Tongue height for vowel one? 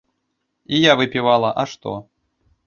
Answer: high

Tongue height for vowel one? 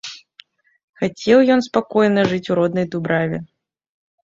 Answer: low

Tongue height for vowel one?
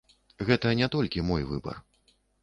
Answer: mid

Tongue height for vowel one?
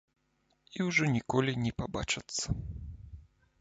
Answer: high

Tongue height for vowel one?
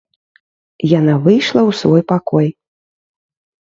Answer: low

